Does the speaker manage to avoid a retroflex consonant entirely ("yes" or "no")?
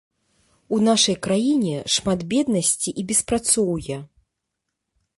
no